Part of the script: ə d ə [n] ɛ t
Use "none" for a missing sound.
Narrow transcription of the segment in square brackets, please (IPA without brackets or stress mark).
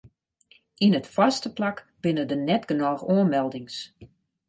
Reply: n